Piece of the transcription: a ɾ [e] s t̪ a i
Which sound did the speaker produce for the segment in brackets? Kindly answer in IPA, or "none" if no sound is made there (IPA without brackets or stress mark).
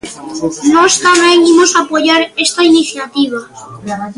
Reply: e